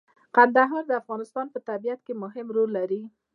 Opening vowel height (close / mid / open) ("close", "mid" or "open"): open